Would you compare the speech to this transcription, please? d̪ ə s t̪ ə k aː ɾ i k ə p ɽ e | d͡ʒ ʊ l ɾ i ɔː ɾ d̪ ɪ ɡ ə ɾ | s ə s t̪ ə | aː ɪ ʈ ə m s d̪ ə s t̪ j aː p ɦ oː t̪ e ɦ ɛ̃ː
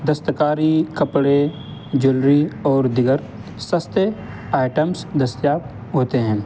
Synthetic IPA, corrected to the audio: d̪ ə s t̪ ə k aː ɾ i k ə p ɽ e | d͡ʒ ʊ l ɾ i ɔː ɾ d̪ ɪ ɡ ə ɾ | s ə s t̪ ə | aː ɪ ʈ ə m s d̪ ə s t̪ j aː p ɦ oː t̪ e ɦ ɛ̃ː

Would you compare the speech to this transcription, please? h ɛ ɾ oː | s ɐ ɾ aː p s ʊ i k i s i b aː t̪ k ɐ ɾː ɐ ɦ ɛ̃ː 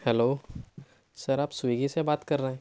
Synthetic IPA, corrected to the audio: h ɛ l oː | s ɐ ɾ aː p s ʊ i ɡ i s e b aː t̪ k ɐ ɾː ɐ ɦ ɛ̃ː

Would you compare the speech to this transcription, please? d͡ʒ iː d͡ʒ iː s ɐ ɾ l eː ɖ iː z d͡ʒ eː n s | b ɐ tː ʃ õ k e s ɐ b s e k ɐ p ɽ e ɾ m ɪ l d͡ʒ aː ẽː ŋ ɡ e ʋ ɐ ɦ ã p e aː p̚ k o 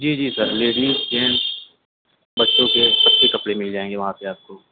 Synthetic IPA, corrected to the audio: d͡ʒ iː d͡ʒ iː s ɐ ɾ l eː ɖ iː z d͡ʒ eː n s | b ɐ tː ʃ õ k e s ɐ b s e k ɐ p ɽ e m ɪ l d͡ʒ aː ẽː ŋ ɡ e ʋ ɐ ɦ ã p e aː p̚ k o

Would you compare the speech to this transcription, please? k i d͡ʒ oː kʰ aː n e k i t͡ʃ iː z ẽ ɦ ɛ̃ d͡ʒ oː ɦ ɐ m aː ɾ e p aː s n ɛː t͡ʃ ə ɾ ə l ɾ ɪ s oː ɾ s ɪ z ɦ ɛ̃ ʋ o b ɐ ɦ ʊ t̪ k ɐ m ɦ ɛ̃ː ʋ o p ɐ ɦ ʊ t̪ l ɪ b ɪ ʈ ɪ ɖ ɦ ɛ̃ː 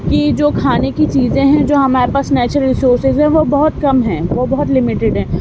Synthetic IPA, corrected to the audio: k i d͡ʒ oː kʰ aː n e k i t͡ʃ iː z ẽ ɦ ɛ̃ d͡ʒ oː ɦ ɐ m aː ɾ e p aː s n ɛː t͡ʃ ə ɾ ə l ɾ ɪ s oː ɾ s ɪ z ɦ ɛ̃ ʋ o b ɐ ɦ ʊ t̪ k ɐ m ɦ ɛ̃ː ʋ o b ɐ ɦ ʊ t̪ l ɪ m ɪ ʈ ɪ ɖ ɦ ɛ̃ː

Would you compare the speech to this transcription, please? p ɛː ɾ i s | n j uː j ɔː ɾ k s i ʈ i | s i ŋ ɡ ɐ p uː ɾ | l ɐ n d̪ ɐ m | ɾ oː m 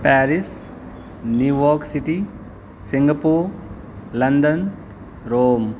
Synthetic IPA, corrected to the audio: p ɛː ɾ i s | n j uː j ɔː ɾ k s i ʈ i | s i ŋ ɡ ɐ p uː ɾ | l ɐ n d̪ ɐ n | ɾ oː m

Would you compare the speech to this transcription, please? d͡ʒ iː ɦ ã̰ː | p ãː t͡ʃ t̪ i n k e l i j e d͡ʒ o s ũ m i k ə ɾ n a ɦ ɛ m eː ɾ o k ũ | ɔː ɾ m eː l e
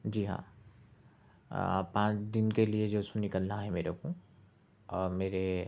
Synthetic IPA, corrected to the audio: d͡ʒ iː ɦ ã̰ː | p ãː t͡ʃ d̪ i n k e l i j e d͡ʒ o s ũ n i k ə l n a ɦ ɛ m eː ɾ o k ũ | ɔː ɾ m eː ɾ e

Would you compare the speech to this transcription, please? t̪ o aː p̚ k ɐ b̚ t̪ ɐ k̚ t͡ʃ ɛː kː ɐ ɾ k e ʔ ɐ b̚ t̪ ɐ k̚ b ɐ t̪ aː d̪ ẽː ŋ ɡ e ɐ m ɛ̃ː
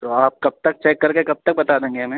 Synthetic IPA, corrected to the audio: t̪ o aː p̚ k ɐ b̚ t̪ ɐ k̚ t͡ʃ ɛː kː ɐ ɾ k e k ɐ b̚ t̪ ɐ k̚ b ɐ t̪ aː d̪ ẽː ŋ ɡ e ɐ m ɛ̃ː

